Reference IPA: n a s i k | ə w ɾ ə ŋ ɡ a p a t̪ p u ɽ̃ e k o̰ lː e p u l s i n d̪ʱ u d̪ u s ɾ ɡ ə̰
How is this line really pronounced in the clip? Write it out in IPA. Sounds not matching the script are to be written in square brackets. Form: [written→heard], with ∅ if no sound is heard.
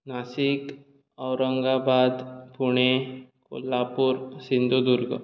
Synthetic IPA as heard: n a s i k | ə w ɾ ə ŋ ɡ a [p→b] a [t̪→d̪] p u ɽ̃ e k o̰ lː [e→a] p u [l→ɾ] s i n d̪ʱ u d̪ u [s→∅] ɾ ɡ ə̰

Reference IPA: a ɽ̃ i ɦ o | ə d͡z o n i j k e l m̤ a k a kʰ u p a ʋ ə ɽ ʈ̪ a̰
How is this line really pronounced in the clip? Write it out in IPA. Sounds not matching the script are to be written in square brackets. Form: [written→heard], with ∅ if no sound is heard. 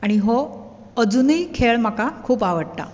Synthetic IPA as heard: a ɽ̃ i ɦ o | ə d͡z [o→u] n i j [k→kʰ] e [l→ɭ] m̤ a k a kʰ [u→uː] p a ʋ ə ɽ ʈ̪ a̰

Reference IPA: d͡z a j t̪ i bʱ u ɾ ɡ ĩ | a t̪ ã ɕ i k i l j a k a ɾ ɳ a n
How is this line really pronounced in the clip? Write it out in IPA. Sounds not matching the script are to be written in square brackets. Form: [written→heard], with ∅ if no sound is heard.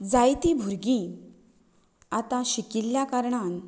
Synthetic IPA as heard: d͡z a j t̪ i bʱ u ɾ ɡ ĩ | a t̪ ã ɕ i k i l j a k a ɾ ɳ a n

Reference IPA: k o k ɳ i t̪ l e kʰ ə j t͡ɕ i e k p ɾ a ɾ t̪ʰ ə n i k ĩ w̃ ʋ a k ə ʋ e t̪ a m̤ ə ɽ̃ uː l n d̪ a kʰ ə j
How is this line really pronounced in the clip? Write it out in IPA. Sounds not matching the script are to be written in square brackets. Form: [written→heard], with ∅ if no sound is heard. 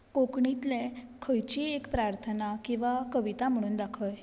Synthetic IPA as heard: k o k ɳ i t̪ l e kʰ ə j t͡ɕ i e k p ɾ a ɾ t̪ʰ ə n [i→a] k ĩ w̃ ʋ a k ə ʋ [e→i] t̪ a m̤ ə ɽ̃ uː [l→∅] n d̪ a kʰ ə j

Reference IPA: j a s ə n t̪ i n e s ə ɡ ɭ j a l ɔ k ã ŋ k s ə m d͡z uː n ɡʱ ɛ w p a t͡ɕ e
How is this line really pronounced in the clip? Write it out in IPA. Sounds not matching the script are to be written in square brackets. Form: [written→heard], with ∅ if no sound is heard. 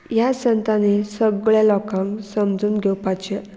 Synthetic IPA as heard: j a s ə n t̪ [i→a] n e s ə ɡ ɭ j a l ɔ k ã ŋ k s ə m d͡z uː n ɡʱ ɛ w p a t͡ɕ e

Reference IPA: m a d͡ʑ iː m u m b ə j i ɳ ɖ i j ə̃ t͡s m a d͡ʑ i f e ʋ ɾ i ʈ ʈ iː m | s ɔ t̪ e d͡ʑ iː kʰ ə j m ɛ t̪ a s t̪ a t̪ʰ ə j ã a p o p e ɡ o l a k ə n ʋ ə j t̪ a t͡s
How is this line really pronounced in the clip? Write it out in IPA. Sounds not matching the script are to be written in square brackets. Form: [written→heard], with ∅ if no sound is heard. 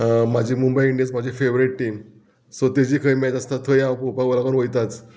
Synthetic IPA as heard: m a d͡ʑ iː m u m b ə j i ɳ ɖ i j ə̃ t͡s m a d͡ʑ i f e ʋ ɾ i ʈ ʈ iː m | s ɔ t̪ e d͡ʑ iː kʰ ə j m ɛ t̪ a s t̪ a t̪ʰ ə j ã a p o p [e→a] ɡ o l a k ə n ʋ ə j t̪ a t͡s

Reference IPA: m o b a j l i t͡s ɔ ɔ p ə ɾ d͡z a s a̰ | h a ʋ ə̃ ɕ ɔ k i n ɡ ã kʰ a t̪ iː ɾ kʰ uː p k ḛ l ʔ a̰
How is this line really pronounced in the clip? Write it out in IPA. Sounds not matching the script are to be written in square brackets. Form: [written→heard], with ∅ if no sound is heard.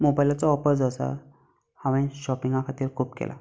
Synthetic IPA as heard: m o b a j l [i→a] t͡s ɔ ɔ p ə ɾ d͡z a s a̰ | h a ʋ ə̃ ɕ ɔ [k→p] i [n→ŋ] ɡ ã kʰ a t̪ iː ɾ kʰ uː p k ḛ l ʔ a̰

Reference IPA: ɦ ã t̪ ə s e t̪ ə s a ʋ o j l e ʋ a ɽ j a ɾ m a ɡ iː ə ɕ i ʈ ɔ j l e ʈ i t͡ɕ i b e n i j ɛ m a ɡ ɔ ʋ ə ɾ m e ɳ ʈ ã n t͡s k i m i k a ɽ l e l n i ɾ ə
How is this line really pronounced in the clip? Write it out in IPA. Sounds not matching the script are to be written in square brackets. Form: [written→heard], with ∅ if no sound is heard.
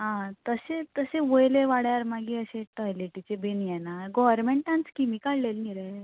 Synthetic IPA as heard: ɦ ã t̪ ə s e t̪ ə s [a→e] ʋ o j l e ʋ a ɽ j a ɾ m a ɡ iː ə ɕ [i→e] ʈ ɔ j l e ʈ i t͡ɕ [i→e] b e n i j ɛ [m→n] a ɡ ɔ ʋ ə ɾ m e ɳ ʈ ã n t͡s k i m i k a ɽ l e l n i ɾ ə

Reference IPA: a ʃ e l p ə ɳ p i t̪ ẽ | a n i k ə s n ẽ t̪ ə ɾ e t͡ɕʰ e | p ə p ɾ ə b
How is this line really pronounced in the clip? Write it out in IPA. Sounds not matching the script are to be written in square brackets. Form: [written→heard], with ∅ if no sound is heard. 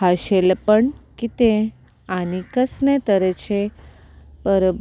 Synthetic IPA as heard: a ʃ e l p ə ɳ [p→k] i t̪ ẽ | a n i k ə s n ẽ t̪ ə ɾ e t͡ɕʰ e | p ə [p→∅] ɾ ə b

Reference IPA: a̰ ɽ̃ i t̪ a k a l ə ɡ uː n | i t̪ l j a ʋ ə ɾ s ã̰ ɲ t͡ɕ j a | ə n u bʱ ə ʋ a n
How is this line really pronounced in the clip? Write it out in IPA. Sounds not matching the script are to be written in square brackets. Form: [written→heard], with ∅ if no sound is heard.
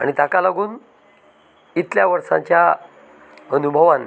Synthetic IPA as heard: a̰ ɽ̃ i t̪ a k a l [ə→a] ɡ uː n | i t̪ l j a ʋ ə ɾ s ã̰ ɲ t͡ɕ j a | ə n u bʱ ə ʋ a n

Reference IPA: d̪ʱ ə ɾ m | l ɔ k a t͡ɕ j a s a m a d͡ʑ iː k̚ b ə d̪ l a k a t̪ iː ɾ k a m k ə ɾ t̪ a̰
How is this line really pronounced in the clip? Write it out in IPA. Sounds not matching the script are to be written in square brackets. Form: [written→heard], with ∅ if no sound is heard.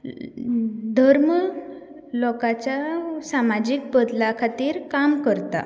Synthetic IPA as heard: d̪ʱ ə ɾ m | l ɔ k a t͡ɕ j a s a m a d͡ʑ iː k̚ b ə d̪ l a [k→kʰ] a t̪ iː ɾ k a m k ə ɾ t̪ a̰

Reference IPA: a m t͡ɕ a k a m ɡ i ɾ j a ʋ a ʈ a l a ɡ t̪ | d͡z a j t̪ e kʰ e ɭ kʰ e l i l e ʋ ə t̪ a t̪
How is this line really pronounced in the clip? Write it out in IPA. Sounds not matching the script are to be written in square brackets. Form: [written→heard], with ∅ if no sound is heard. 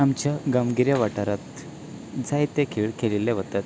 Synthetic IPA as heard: a m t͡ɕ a [k→ɡ] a m ɡ i ɾ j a ʋ a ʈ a [l→ɾ] a [ɡ→∅] t̪ | d͡z a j t̪ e kʰ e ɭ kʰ e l i l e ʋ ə t̪ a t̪

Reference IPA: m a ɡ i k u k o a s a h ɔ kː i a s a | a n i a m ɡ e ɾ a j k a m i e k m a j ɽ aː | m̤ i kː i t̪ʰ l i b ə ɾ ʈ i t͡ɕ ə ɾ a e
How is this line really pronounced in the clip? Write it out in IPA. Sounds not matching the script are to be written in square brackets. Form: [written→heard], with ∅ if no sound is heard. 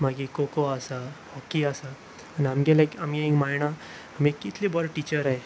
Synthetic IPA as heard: m a ɡ i k [u→o] k o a s a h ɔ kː i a s a | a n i a m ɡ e [ɾ→l] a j k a m i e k m a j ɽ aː | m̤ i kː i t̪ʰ l i b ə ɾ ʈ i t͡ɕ ə ɾ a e

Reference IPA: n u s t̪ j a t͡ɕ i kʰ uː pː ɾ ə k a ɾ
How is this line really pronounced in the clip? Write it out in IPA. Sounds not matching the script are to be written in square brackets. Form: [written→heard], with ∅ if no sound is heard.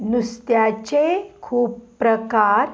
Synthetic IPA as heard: n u s t̪ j a t͡ɕ [i→e] kʰ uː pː ɾ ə k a ɾ

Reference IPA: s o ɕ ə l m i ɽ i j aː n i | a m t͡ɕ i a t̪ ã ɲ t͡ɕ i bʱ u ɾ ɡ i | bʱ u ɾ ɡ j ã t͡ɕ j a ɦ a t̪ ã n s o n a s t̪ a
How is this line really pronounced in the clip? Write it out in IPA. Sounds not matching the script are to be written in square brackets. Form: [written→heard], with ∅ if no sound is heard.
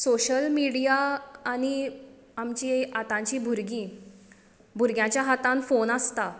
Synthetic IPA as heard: s o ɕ ə l m i ɽ i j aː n i | a m t͡ɕ i a t̪ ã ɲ t͡ɕ i bʱ u ɾ ɡ i | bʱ u ɾ ɡ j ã t͡ɕ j a ɦ a t̪ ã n [s→f] o n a s t̪ a

